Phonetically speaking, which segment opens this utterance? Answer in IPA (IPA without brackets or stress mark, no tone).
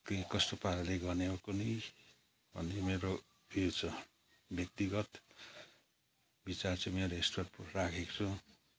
k